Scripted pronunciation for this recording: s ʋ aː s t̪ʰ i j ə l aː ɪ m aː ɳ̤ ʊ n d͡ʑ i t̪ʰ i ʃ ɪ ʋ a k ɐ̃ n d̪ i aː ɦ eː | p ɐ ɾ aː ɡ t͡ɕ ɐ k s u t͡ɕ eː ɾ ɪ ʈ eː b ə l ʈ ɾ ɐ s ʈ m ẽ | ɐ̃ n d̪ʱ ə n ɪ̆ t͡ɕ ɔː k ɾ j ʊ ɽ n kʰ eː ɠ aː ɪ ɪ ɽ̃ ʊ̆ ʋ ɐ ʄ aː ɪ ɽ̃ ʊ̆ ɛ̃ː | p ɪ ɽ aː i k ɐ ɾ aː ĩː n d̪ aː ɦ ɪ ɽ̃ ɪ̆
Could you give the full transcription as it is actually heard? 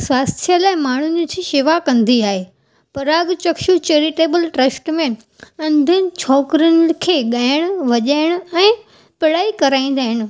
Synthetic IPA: s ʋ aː s t̪ʰ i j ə l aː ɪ m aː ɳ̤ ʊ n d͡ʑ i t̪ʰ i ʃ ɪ ʋ a k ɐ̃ n d̪ i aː ɦ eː | p ɐ ɾ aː ɡ t͡ɕ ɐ k ʃ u t͡ɕ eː ɾ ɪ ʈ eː b ə l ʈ ɾ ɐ s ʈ m ẽ | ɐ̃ n d̪ʱ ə n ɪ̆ t͡ɕʰ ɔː k ɾ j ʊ n kʰ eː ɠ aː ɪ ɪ ɽ̃ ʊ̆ ʋ ɐ ʄ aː ɪ ɽ̃ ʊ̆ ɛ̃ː | p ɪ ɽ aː i k ɐ ɾ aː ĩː n d̪ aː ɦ ɪ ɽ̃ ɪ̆